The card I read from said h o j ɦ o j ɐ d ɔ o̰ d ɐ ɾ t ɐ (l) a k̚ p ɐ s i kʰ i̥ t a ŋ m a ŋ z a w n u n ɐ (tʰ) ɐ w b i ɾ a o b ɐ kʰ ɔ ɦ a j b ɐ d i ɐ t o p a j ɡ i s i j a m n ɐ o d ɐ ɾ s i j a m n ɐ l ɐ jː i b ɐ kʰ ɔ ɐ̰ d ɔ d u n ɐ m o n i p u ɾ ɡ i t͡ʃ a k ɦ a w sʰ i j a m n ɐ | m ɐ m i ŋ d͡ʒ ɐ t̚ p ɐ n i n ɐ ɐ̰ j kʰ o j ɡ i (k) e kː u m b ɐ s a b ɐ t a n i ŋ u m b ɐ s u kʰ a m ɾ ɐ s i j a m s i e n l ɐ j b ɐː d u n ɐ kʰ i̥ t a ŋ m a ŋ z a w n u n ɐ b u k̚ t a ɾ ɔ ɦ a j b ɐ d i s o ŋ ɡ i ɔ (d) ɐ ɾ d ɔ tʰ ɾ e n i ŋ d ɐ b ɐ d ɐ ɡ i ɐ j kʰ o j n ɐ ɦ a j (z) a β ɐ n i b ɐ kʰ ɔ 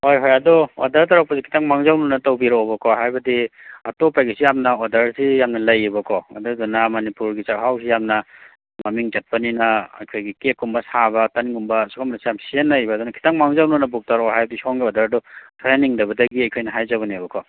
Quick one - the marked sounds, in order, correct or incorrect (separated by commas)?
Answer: incorrect, incorrect, correct, correct, correct